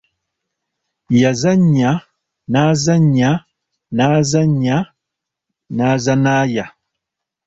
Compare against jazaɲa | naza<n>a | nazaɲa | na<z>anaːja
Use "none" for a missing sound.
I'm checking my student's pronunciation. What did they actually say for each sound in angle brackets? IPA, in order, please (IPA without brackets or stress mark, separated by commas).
ɲ, z